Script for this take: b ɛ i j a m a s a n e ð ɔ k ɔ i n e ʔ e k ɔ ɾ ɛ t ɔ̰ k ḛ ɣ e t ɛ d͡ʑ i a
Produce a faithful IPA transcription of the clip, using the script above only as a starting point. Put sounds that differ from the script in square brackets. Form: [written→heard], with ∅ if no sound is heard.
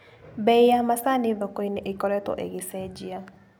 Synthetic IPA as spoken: b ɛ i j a m a s a n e ð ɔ k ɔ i n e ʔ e k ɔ ɾ ɛ t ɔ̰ [k→ʔ] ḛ ɣ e [t→s] ɛ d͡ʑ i a